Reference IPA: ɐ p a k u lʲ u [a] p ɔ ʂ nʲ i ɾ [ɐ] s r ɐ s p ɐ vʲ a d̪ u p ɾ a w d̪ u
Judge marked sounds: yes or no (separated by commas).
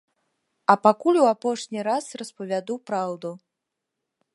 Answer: yes, no